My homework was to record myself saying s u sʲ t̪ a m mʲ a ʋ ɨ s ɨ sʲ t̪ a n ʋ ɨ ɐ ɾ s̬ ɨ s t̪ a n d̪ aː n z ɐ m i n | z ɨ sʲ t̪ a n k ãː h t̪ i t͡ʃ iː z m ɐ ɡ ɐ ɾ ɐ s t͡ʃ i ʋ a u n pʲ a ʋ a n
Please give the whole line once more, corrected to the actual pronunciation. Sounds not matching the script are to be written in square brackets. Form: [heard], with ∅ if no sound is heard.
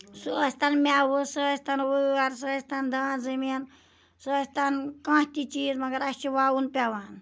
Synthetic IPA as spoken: s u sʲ t̪ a [n] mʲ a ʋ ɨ s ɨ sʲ t̪ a n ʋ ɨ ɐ ɾ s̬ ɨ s t̪ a n d̪ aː n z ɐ m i n | [s] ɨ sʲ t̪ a n k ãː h t̪ i t͡ʃ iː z m ɐ ɡ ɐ ɾ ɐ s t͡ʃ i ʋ a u n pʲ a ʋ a n